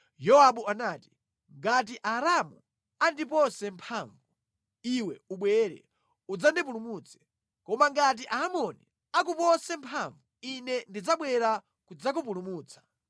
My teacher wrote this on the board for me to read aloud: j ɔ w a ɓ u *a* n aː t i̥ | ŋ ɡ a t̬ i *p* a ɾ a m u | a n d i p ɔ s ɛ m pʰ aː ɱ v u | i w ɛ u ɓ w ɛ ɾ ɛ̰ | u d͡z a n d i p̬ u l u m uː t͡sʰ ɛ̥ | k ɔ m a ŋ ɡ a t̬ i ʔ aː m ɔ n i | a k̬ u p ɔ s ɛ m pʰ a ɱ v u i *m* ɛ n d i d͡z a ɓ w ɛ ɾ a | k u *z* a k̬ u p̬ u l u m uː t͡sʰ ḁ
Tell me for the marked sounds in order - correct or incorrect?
correct, incorrect: ʔ, incorrect: n, incorrect: d͡z

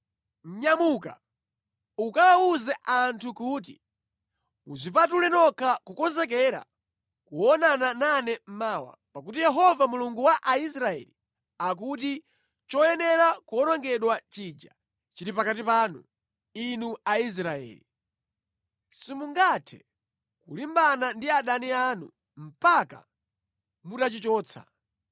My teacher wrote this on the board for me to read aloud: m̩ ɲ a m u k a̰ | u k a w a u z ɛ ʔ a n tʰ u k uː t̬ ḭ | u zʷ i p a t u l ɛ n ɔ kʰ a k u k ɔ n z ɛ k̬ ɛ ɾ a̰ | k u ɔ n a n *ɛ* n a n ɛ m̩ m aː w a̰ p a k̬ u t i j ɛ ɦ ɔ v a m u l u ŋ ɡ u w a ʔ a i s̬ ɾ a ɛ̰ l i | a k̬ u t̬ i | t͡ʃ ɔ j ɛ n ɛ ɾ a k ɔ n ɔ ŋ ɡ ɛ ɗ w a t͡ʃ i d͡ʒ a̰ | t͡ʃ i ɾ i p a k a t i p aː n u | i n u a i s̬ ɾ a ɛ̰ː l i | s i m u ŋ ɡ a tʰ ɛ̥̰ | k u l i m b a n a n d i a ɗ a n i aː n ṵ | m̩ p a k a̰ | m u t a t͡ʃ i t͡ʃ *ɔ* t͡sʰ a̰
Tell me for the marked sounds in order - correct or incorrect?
incorrect: a, incorrect: ɔː

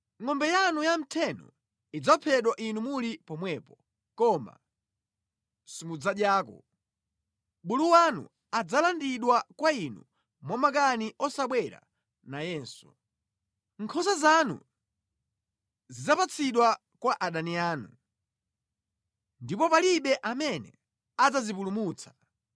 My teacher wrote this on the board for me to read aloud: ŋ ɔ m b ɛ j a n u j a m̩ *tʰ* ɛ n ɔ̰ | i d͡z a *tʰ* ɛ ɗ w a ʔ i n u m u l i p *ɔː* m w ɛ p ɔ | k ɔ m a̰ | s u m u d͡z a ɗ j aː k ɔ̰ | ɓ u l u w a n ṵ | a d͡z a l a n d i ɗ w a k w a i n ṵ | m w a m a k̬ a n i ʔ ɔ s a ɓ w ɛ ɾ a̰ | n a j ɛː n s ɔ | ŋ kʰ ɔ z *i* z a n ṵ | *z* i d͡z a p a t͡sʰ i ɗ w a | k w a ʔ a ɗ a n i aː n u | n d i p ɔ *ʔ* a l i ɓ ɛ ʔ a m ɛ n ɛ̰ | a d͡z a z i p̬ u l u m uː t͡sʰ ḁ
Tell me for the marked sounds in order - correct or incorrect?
correct, incorrect: pʰ, incorrect: ɔ, incorrect: a, correct, incorrect: p

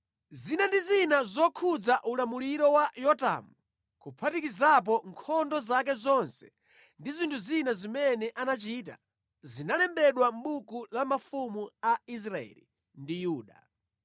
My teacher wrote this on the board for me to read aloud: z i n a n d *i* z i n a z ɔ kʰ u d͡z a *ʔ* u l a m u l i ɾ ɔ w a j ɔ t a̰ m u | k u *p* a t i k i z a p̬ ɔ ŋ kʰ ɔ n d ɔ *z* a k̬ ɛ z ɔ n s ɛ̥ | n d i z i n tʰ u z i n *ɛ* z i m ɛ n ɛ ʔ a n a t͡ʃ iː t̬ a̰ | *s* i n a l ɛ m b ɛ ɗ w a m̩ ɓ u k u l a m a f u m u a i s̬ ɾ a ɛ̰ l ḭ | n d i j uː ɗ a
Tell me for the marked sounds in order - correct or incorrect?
correct, correct, incorrect: pʰ, correct, incorrect: a, incorrect: z

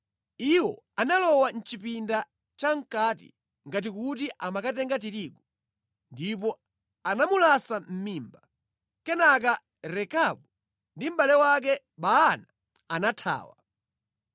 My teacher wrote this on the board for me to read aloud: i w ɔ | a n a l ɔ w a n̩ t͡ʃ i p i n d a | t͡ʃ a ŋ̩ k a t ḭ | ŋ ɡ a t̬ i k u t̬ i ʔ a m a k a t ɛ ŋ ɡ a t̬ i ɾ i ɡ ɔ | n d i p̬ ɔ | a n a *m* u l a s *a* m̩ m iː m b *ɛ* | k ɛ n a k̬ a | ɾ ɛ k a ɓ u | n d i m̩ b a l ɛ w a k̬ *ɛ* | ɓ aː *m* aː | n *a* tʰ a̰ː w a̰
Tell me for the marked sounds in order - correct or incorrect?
correct, correct, incorrect: a, correct, incorrect: n, correct

